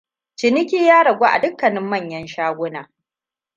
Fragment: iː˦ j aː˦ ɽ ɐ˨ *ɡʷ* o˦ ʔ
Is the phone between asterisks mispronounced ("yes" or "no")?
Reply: no